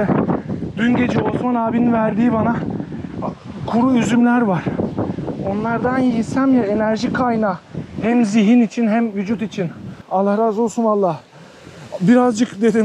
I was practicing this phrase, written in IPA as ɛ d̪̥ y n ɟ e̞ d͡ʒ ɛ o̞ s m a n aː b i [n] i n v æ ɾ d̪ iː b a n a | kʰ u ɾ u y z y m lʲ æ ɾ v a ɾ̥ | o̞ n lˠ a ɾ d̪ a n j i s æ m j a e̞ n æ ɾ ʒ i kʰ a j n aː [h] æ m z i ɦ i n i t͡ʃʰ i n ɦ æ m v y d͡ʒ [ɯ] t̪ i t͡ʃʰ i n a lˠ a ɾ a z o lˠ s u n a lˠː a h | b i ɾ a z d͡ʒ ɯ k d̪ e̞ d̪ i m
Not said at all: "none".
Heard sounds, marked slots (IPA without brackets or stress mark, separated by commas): n, h, u